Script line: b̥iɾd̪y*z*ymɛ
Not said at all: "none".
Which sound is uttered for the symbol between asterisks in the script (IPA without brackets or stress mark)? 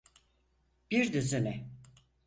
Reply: z